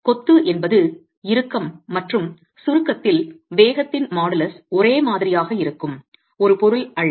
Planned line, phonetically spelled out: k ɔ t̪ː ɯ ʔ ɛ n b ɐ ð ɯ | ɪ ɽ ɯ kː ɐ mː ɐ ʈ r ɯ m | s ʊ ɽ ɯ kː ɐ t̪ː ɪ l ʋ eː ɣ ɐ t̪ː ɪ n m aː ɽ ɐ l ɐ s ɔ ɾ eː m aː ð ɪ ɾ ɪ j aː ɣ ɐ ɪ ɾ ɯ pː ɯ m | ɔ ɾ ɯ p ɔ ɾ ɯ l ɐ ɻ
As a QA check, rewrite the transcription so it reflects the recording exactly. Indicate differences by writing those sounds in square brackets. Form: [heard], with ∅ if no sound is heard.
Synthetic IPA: k ɔ t̪ː ɯ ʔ ɛ n b ɐ ð ɯ | ɪ [ɾ] ɯ kː ɐ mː ɐ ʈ r ɯ m | s ʊ [ɾ] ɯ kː ɐ t̪ː ɪ l ʋ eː ɣ ɐ t̪ː ɪ n m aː ɽ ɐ l ɐ s ɔ ɾ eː m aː ð ɪ ɾ ɪ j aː ɣ ɐ ɪ ɾ ɯ [kː] ɯ m | ɔ ɾ ɯ p ɔ ɾ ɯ l ɐ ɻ